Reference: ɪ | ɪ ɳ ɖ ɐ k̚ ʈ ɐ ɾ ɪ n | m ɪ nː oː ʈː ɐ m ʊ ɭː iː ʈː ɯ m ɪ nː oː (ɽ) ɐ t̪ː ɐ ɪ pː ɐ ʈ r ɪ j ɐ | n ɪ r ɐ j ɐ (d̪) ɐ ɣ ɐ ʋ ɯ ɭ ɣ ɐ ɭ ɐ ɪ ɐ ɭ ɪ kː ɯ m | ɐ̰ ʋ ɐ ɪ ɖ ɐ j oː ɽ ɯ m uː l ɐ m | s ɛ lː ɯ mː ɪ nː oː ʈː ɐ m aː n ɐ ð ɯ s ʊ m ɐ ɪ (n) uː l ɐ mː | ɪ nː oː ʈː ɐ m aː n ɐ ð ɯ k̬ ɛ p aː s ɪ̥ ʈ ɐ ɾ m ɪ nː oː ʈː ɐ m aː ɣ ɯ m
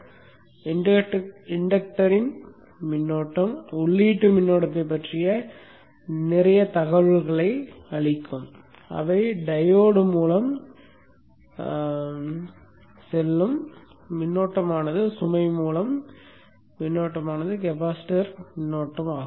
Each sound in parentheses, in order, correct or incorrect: correct, incorrect: t̪, incorrect: m

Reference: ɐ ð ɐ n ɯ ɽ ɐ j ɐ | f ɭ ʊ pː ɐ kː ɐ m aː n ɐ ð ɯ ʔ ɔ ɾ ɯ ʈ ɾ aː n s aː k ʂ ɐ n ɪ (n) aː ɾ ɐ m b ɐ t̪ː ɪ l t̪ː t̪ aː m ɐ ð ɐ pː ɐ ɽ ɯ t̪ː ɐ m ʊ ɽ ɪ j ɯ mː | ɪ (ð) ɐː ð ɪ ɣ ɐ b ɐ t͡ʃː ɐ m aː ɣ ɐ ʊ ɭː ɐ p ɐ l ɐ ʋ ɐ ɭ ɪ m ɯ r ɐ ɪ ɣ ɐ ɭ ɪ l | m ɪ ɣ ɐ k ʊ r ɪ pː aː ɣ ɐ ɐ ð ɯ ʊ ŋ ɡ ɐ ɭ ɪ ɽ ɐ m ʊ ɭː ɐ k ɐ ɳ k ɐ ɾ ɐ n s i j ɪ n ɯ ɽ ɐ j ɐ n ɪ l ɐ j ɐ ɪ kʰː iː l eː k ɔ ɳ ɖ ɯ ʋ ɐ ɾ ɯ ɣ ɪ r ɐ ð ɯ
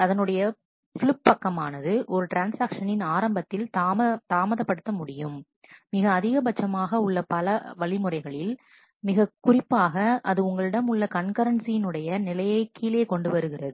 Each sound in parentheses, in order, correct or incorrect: correct, incorrect: ɣ

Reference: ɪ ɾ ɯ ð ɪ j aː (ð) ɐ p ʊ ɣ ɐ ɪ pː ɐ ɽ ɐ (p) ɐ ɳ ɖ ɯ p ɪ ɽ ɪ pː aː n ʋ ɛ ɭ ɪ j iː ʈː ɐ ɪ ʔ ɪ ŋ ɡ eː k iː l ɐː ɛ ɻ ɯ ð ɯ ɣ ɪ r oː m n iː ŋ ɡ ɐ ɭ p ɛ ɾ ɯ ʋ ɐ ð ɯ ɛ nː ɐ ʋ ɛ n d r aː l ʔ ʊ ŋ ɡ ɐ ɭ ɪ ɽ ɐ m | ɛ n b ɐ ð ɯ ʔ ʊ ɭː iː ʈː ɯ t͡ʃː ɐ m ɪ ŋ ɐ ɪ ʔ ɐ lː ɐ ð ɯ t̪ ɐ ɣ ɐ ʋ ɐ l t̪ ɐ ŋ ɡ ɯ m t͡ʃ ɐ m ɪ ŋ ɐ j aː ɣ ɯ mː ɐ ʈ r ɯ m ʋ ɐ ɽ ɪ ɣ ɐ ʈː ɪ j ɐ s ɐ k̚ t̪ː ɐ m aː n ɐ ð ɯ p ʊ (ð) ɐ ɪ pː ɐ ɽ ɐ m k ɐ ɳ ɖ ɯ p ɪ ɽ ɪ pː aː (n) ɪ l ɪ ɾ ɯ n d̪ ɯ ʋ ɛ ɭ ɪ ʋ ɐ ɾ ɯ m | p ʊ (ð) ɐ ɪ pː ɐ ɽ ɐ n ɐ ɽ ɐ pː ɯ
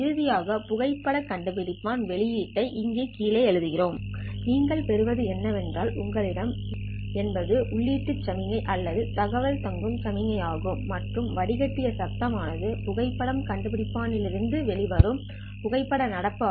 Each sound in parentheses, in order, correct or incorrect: incorrect: ɣ, incorrect: k, incorrect: ɣ, correct, incorrect: ɣ

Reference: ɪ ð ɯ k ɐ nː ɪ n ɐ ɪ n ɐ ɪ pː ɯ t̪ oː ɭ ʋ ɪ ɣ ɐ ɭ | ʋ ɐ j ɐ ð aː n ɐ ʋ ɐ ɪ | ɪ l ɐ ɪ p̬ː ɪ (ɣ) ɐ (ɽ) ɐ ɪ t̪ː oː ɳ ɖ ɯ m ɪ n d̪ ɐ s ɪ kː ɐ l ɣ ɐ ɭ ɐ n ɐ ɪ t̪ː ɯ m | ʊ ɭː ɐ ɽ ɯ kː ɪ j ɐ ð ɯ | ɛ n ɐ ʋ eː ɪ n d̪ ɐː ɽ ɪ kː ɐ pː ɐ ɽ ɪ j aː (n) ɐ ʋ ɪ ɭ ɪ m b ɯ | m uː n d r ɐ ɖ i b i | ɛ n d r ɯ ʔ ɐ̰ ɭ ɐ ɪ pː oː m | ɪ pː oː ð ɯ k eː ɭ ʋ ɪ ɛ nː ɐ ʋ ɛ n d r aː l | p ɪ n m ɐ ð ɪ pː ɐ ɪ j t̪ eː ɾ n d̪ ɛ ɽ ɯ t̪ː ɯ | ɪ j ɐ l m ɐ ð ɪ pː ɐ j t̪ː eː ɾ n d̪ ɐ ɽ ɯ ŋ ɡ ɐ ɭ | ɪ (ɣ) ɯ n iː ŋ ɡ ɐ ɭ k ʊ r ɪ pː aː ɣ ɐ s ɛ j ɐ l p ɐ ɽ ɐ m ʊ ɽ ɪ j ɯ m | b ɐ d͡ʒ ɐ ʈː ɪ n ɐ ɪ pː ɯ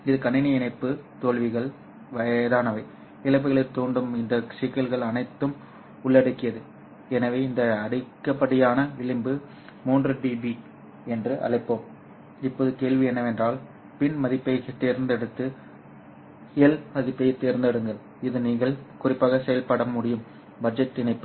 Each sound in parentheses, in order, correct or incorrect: correct, incorrect: ɭ, correct, incorrect: ð

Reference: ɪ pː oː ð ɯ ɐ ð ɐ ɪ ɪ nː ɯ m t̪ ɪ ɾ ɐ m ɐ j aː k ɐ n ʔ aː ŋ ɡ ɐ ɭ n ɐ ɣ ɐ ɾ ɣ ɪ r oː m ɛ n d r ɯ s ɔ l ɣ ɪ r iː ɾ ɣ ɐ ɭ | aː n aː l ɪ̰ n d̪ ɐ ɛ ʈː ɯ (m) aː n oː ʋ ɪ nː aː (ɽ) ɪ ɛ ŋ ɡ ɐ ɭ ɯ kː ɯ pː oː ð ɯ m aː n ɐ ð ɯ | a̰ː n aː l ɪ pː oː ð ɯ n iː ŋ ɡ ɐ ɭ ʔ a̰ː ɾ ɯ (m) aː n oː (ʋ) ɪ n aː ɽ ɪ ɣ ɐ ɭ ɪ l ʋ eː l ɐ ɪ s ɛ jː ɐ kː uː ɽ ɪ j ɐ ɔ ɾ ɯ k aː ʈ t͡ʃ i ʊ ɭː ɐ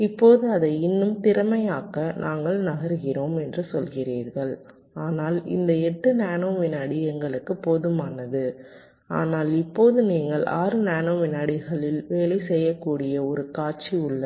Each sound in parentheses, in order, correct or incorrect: incorrect: n, correct, incorrect: n, correct

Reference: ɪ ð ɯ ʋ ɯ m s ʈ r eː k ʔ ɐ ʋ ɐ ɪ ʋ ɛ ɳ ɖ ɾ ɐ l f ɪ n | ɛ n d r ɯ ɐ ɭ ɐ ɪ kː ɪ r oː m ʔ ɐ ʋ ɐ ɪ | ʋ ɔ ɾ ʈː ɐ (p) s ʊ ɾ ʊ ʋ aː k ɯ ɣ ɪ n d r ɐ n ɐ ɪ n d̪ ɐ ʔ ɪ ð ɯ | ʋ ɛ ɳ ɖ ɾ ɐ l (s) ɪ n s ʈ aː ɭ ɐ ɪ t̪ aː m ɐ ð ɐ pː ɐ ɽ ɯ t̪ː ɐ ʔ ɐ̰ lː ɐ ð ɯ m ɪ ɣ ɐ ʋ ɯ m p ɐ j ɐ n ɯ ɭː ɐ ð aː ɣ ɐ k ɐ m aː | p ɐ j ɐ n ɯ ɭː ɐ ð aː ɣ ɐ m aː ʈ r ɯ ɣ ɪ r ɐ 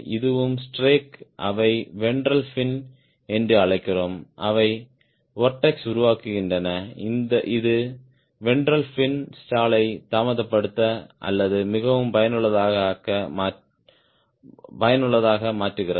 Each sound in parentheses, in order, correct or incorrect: incorrect: k, incorrect: f

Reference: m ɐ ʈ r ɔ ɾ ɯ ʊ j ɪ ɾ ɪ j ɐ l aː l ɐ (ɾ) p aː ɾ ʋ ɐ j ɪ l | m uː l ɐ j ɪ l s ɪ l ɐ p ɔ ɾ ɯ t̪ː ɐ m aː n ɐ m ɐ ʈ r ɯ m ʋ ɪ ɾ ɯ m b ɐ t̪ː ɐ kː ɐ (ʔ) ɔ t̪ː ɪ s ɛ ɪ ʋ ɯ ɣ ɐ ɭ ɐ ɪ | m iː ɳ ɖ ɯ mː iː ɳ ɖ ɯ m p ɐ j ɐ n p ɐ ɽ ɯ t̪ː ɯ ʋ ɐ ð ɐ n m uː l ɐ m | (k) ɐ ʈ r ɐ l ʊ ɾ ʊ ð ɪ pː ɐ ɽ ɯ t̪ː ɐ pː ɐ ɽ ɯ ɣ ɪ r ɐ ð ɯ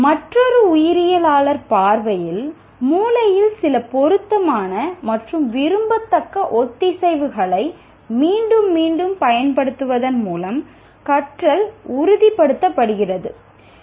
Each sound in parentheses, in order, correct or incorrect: correct, correct, correct

